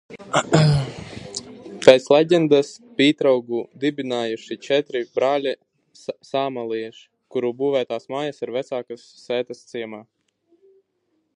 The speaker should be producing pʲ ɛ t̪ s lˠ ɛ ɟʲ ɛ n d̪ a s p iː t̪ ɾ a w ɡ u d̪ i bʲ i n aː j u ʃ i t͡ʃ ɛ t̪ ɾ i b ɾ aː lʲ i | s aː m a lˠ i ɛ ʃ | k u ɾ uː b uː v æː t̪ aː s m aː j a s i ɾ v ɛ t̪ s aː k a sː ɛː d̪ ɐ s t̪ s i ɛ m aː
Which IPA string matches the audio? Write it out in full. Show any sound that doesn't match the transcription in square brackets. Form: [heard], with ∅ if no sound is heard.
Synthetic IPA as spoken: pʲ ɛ t̪ s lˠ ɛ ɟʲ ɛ n d̪ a s p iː t̪ ɾ a w ɡ u d̪ i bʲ i n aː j u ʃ i t͡ʃ ɛ t̪ ɾ i b ɾ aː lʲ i | s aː m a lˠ i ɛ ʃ | k u ɾ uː b uː v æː t̪ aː s m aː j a s i ɾ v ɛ t̪ s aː k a sː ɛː [t̪] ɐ s t̪ s i ɛ m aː